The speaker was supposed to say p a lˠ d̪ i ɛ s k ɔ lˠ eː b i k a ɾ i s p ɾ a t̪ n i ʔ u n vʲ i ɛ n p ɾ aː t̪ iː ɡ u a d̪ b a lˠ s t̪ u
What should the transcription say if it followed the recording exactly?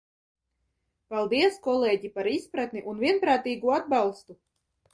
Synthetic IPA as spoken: p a lˠ d̪ i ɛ s k ɔ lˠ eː ɟ i p a ɾ i s p ɾ a t̪ n i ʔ u n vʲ i ɛ n p ɾ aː t̪ iː ɡ u a d̪ b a lˠ s t̪ u